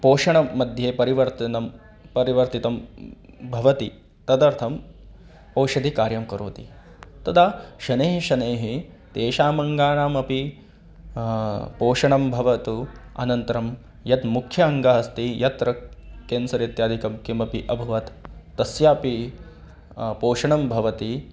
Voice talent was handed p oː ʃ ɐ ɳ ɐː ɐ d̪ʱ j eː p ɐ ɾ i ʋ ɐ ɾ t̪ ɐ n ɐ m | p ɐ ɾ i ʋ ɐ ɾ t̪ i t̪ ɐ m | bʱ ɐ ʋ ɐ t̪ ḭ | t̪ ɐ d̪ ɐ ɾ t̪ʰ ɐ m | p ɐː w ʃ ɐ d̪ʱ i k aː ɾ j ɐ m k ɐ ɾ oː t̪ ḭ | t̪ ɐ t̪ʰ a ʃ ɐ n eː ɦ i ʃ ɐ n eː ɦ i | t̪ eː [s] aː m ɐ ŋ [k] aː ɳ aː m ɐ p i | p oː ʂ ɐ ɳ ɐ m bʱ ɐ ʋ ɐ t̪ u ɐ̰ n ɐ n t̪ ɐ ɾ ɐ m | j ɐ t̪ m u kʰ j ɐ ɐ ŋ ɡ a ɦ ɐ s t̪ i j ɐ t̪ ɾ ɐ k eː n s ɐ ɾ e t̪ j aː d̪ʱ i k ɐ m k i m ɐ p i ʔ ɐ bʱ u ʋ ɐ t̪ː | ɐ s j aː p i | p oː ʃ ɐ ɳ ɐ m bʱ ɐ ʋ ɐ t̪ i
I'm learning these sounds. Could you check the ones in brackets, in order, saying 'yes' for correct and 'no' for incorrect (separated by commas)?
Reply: no, no